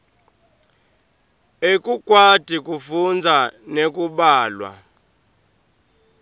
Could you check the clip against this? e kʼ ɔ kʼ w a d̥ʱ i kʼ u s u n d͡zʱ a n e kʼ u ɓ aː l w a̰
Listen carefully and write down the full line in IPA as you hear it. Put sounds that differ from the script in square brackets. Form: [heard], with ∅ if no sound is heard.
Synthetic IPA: e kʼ [u] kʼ w a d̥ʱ i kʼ u [f] u n d͡zʱ a n e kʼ u ɓ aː l w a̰